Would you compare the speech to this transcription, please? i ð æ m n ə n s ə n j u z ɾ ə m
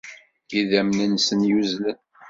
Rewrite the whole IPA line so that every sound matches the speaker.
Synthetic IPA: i ð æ m n ə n s ə n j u z l ə n

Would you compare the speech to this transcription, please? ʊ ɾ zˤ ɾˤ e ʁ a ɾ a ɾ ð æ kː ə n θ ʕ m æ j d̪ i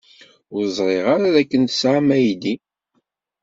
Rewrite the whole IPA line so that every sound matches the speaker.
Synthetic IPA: ʊ ɾ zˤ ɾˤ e ʁ a ɾ a ð æ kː ə n s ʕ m æ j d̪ i

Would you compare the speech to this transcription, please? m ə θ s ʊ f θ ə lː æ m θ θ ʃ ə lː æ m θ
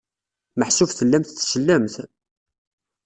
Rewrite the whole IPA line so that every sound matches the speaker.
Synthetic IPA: m ə ħ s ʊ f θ ə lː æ m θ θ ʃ ə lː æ m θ

